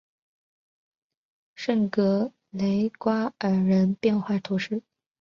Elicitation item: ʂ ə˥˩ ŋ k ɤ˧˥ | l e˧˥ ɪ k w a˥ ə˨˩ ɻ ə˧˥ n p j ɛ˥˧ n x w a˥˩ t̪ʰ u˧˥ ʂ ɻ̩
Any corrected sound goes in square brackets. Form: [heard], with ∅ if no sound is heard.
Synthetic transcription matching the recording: ʂ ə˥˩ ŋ k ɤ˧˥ | l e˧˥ ɪ k w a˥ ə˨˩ ɻ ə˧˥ n p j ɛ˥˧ n x w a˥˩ t̪ʰ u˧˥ ʂ ɻ̩

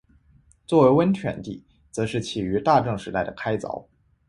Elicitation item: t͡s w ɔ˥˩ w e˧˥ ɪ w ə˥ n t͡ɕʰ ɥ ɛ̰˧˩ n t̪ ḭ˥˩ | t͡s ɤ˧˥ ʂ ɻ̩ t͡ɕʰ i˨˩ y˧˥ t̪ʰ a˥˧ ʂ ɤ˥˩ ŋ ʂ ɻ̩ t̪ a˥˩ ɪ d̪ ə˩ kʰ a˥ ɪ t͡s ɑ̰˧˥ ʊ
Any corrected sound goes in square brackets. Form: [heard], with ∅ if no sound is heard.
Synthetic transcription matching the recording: t͡s w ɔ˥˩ w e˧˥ ɪ w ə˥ n t͡ɕʰ ɥ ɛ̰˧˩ n t̪ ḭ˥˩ | t͡s ɤ˧˥ ʂ ɻ̩ t͡ɕʰ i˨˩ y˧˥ [t̪] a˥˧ [ʈ͡ʂ] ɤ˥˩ ŋ ʂ ɻ̩ t̪ a˥˩ ɪ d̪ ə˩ kʰ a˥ ɪ t͡s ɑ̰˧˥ ʊ

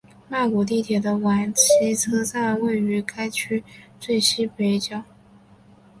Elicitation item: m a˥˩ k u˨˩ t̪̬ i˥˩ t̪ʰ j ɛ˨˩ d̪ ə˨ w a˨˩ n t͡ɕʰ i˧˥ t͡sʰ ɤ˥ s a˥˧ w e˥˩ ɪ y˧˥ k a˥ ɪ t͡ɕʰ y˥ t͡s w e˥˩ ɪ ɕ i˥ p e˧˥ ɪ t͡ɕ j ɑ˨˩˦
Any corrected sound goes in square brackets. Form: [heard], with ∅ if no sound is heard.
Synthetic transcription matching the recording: m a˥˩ k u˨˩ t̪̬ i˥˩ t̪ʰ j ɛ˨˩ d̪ [ə˦] w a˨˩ n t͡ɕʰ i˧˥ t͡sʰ ɤ˥ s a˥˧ w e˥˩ ɪ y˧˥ k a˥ ɪ t͡ɕʰ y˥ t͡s w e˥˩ ɪ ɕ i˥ p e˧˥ ɪ t͡ɕ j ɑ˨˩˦

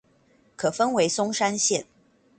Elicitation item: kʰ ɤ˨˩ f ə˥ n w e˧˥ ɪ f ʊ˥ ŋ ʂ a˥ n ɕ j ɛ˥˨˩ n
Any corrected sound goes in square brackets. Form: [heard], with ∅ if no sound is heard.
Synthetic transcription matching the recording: kʰ ɤ˨˩ f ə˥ n w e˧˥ ɪ [s] ʊ˥ ŋ ʂ a˥ n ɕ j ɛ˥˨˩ n

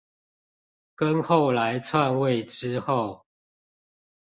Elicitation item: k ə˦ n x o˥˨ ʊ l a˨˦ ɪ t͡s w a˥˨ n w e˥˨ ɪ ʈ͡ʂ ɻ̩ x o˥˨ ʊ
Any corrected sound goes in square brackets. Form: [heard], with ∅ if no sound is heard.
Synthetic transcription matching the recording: k ə˦ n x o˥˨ ʊ l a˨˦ ɪ [t͡sʰ] w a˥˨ n w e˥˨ ɪ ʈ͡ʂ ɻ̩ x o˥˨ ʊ

